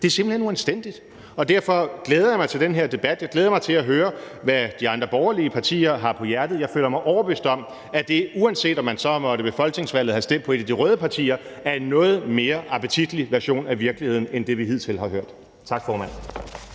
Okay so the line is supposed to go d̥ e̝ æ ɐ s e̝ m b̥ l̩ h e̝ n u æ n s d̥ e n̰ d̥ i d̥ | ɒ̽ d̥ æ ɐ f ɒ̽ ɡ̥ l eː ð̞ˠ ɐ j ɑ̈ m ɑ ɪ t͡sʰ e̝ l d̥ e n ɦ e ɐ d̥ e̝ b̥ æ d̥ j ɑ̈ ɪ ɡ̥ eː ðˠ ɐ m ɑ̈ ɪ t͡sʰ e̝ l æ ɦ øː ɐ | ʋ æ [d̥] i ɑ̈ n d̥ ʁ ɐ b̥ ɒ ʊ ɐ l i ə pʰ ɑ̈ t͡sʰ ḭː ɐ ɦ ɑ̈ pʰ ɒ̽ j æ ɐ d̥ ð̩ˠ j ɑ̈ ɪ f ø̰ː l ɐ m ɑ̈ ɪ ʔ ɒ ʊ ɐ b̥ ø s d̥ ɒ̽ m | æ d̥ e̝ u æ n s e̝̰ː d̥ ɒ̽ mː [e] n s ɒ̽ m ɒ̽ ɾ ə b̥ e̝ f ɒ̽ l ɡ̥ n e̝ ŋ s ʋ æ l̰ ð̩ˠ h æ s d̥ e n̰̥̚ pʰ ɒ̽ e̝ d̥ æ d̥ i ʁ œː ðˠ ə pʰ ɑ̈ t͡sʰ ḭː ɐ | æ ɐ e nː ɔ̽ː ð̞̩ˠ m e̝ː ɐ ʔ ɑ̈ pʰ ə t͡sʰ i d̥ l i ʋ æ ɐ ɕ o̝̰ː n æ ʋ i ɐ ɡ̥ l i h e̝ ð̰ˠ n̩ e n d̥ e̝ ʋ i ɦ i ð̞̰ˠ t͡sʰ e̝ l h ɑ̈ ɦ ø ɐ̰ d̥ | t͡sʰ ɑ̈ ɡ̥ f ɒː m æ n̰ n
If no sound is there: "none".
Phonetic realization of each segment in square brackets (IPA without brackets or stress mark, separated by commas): d̥, æ